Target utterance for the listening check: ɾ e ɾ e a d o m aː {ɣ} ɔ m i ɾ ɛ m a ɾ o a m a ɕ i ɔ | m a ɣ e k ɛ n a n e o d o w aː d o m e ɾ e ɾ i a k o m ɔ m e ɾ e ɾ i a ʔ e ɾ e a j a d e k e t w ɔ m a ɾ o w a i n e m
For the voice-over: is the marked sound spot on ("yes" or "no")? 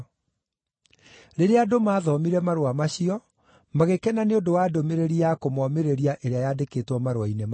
no